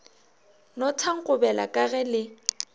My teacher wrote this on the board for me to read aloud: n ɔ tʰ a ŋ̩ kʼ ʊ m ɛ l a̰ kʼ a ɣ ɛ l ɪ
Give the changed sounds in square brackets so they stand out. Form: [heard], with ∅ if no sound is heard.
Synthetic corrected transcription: n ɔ tʰ a ŋ̩ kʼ ʊ [b] ɛ l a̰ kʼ a ɣ ɛ l ɪ